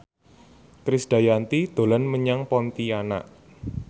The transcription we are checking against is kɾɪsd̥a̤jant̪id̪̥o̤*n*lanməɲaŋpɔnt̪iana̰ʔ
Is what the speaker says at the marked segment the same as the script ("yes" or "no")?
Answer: no